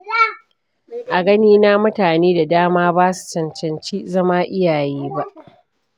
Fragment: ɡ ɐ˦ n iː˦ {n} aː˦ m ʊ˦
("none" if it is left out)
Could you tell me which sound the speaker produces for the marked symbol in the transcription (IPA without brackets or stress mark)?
n